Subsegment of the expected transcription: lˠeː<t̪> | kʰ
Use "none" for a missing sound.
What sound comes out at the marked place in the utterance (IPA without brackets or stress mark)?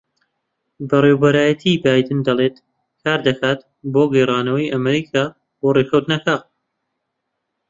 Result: t̪